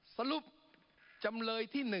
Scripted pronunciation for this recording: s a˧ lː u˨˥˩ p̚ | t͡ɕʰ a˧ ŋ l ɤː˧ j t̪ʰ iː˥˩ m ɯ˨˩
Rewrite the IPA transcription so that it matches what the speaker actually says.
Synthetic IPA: s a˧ l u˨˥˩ p̚ | t͡ɕ a˧ m l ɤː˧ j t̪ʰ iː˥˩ n ɯ˨˩